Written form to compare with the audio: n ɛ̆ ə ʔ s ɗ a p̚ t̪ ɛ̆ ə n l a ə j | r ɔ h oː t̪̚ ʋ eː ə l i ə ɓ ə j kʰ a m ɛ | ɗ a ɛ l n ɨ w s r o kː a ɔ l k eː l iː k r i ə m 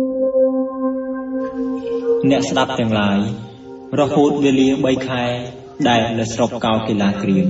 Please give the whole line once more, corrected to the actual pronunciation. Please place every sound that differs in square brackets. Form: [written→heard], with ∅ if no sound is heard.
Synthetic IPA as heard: n ɛ̆ ə ʔ s ɗ a p̚ t̪ ɛ̆ ə [n→ŋ] l a ə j | r ɔ h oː t̪̚ ʋ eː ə l i ə ɓ ə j kʰ a [m→∅] ɛ | ɗ a ɛ l n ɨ w s r o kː a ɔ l k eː l [iː→aː] k r i ə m